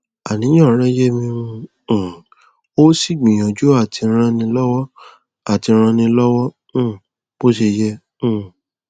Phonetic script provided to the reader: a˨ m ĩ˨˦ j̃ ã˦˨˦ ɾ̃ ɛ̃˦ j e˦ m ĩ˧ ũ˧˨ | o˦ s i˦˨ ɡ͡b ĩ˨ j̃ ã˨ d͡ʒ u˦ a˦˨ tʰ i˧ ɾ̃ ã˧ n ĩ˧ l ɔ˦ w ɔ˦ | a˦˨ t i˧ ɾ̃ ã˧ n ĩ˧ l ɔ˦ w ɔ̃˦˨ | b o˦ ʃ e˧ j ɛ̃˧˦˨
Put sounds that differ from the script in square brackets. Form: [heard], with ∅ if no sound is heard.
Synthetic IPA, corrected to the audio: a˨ [n] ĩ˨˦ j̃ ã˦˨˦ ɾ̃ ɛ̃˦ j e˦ m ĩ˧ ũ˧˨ | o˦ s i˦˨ ɡ͡b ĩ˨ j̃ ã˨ d͡ʒ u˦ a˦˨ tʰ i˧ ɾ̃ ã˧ n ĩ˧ l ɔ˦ w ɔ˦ | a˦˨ t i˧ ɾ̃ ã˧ n ĩ˧ l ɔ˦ w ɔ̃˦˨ | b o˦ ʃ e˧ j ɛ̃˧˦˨